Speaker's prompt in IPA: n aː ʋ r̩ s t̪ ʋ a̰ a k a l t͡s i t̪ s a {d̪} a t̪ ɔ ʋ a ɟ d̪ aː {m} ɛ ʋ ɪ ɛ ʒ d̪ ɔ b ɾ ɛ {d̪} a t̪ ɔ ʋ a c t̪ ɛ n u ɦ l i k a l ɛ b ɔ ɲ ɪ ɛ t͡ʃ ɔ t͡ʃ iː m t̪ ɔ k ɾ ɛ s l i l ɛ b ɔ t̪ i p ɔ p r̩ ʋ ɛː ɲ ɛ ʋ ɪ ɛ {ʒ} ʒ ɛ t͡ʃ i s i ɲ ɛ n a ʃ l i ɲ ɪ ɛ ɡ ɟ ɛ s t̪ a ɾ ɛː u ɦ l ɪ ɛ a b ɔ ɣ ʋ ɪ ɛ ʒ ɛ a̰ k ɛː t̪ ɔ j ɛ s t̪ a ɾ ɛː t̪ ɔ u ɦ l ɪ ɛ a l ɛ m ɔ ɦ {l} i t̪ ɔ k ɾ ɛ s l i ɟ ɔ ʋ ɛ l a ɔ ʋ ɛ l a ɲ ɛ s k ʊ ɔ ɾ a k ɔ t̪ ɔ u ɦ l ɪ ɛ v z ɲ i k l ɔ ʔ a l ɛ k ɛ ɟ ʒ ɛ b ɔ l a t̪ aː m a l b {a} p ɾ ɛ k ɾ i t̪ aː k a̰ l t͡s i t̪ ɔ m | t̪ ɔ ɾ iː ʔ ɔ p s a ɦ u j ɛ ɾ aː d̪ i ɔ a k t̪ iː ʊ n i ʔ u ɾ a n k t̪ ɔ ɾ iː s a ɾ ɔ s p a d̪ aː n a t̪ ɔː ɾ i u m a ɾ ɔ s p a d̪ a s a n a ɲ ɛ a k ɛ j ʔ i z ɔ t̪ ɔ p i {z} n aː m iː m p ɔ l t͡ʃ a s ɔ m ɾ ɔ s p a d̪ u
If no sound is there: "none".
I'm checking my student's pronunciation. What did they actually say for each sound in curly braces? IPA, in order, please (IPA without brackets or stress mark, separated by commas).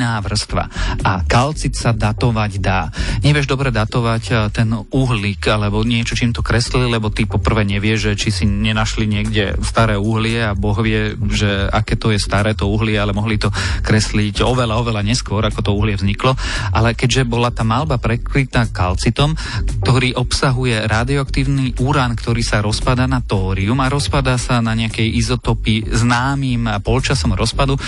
d̪, ɲ, d̪, ʒ, l, a, z